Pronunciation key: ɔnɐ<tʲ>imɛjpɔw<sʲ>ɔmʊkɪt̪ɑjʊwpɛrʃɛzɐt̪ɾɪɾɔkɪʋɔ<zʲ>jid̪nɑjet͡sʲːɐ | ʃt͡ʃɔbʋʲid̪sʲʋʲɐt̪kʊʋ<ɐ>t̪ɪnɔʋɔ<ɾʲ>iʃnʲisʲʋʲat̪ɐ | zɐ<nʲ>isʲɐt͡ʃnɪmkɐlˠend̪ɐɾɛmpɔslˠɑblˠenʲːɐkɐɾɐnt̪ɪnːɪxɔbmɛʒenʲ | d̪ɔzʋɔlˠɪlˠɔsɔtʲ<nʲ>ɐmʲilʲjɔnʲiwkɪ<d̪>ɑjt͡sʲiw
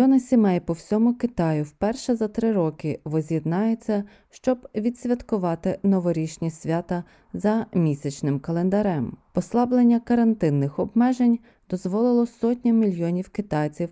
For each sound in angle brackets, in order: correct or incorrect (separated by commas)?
incorrect, correct, correct, incorrect, correct, incorrect, correct, incorrect